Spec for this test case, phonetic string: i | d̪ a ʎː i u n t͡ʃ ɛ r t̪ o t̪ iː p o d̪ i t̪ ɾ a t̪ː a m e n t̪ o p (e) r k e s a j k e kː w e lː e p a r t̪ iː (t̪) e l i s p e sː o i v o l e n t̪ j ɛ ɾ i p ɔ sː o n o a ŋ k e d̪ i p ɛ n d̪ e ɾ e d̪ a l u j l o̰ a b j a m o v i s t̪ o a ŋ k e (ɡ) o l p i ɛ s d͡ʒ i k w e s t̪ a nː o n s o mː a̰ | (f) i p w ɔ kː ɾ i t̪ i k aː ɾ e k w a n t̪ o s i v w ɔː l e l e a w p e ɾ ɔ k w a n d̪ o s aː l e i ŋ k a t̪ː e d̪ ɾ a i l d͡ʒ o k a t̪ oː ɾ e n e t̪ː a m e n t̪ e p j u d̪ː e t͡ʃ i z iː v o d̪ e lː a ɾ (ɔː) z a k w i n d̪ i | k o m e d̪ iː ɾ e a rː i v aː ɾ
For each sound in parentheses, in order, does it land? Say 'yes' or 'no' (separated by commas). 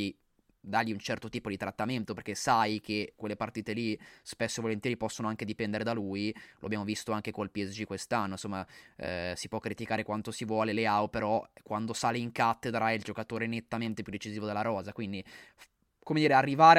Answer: yes, yes, no, no, yes